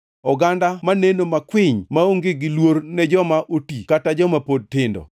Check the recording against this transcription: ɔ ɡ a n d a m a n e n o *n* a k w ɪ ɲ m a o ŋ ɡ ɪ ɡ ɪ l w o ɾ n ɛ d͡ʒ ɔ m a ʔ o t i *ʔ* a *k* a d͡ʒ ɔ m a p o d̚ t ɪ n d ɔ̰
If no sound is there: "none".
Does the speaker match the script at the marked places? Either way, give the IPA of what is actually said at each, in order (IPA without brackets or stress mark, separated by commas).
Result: m, k, t